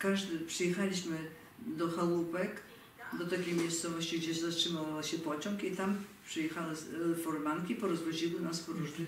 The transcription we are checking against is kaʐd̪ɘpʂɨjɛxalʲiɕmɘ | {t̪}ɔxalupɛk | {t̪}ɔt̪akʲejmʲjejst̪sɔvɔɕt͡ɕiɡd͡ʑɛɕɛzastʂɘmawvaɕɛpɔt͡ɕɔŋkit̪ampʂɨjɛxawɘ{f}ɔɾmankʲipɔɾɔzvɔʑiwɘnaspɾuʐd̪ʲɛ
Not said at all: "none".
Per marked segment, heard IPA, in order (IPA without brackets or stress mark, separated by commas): d̪, d̪, f